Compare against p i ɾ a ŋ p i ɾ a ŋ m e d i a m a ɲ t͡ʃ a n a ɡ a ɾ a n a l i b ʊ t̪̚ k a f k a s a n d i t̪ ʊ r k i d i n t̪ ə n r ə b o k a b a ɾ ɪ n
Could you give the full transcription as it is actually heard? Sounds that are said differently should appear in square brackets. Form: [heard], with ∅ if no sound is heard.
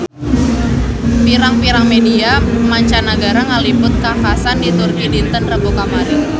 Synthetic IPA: p i ɾ a ŋ p i ɾ a ŋ m e d i a m a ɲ t͡ʃ a n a ɡ a ɾ a [ŋ] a l i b ʊ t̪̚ k a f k a s a n d i t̪ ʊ r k i d i n t̪ ə n r ə b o k a [m] a ɾ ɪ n